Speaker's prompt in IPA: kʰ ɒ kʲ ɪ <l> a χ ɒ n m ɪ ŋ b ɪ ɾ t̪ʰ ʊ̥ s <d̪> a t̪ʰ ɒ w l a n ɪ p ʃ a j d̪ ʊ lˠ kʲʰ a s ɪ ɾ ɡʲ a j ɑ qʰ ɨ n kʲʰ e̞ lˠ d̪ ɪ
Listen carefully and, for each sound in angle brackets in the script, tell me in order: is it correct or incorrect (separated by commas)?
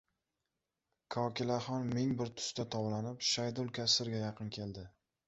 correct, incorrect